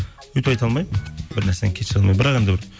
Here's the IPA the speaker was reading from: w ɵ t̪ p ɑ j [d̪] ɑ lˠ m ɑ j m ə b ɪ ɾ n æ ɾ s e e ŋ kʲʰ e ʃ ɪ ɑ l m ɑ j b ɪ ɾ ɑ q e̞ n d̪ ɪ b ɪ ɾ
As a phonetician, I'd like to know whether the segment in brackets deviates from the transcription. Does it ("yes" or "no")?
yes